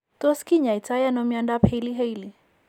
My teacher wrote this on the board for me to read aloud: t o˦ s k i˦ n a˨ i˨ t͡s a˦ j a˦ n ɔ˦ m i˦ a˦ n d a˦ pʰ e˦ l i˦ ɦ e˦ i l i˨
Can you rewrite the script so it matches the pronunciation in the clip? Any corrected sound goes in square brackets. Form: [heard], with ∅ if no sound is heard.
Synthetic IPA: t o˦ s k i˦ [ɲ] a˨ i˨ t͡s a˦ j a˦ n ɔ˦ m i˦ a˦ n d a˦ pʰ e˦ l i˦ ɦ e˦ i l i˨